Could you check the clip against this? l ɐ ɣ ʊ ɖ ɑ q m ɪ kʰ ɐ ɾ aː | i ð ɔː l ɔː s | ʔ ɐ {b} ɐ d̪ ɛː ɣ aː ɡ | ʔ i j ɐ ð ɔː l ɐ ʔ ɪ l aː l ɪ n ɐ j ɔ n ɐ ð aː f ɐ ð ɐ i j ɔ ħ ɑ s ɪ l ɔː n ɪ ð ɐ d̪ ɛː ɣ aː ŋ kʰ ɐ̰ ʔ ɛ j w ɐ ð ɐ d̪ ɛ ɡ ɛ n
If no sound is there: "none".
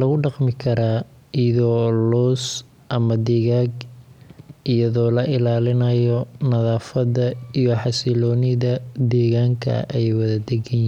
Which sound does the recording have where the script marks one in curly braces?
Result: m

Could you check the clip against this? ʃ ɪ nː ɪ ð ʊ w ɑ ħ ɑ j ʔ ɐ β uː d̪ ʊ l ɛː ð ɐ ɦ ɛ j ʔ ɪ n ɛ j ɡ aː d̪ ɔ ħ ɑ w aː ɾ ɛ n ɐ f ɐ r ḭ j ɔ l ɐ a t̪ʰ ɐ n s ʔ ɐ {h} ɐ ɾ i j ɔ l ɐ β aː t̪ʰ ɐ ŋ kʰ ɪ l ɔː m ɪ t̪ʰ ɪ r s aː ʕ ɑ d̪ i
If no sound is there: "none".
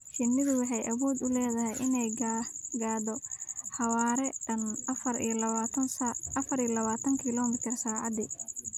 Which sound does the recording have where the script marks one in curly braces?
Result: f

